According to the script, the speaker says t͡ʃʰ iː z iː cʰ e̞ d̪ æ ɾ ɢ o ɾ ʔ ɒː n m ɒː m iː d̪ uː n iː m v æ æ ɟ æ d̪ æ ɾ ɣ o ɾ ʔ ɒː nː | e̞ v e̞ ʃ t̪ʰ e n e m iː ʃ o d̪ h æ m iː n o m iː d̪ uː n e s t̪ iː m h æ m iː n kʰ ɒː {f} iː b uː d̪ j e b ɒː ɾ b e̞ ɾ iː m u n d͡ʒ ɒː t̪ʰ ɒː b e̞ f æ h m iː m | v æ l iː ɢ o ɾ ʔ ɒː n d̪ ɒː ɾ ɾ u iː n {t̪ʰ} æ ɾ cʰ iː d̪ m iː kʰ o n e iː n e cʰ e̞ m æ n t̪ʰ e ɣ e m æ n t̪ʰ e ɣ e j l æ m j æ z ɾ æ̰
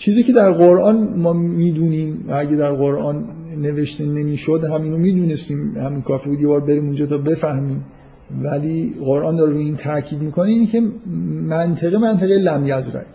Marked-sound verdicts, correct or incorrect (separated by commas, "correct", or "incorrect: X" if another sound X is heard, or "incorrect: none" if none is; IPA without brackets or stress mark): correct, correct